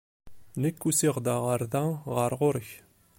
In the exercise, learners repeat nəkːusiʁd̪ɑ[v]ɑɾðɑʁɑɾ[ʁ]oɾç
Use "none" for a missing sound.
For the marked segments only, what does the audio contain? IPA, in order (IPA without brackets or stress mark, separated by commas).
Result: ʁ, ʁ